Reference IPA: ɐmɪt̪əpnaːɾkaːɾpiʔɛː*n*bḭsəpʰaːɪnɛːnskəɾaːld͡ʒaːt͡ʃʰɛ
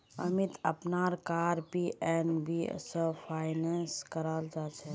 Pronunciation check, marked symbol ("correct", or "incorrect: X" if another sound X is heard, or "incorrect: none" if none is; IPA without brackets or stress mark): correct